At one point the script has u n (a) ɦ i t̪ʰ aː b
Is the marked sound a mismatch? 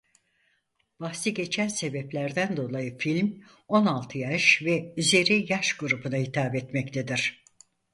no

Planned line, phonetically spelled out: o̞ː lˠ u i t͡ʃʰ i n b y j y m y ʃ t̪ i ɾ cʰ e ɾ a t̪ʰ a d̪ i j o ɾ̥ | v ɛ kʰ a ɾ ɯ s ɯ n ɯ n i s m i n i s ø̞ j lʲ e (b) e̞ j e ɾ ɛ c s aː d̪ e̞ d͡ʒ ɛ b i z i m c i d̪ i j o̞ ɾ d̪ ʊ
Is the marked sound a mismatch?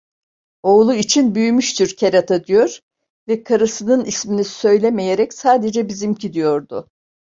yes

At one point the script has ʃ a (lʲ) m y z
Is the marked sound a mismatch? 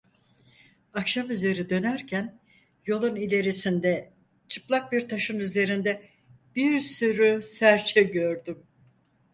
yes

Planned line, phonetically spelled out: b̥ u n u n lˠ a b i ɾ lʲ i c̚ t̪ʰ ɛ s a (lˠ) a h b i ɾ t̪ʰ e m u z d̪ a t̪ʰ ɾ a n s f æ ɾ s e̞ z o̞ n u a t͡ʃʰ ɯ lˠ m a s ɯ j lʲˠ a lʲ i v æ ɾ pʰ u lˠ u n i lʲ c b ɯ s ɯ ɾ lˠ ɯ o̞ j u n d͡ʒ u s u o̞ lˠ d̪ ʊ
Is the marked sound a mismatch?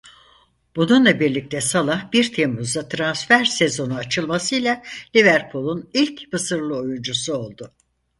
no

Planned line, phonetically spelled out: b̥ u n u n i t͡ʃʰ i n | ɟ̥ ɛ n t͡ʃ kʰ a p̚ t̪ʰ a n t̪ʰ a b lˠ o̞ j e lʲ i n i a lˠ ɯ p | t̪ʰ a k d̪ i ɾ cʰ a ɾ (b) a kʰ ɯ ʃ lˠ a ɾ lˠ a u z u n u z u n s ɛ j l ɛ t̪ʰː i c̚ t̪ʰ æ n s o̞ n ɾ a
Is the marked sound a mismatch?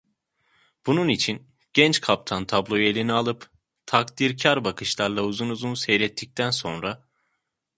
no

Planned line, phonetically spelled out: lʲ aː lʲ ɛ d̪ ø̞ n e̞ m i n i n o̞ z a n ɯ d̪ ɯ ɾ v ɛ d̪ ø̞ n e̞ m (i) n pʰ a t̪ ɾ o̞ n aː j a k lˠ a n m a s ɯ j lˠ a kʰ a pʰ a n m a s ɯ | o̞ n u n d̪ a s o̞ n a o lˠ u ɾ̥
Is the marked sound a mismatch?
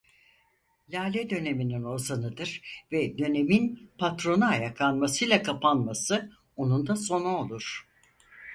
no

